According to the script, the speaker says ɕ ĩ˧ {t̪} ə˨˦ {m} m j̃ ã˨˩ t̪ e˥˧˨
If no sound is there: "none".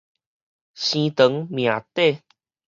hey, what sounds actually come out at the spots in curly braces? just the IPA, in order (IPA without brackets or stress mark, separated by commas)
t̪, ŋ